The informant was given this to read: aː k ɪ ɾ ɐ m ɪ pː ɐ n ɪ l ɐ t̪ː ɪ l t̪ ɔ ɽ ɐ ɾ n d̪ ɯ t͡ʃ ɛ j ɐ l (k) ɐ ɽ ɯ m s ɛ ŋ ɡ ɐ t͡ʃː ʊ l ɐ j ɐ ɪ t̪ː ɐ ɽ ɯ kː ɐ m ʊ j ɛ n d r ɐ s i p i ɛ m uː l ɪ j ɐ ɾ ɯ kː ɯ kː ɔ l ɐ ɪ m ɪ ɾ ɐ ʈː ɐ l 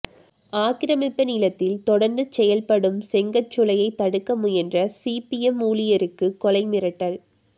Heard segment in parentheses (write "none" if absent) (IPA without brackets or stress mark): p